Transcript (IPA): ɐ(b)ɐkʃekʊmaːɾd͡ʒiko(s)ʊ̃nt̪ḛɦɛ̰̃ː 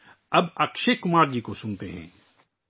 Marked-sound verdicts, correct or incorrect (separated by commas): correct, correct